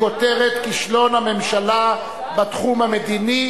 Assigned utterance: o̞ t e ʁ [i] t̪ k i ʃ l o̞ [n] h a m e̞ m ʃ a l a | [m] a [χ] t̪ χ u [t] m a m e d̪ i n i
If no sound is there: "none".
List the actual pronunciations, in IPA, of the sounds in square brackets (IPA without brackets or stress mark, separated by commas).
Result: e, n, b, none, none